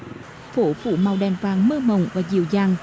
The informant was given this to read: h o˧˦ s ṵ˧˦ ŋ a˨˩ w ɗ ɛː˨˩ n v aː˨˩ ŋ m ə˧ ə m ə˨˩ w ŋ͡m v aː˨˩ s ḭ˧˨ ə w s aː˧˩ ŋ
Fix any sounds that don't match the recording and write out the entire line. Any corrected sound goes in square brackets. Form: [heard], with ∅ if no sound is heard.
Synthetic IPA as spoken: [f] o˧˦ [f] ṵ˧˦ [m] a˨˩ w ɗ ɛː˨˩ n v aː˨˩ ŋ m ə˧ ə m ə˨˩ w ŋ͡m v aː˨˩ [z] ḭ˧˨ ə w [z] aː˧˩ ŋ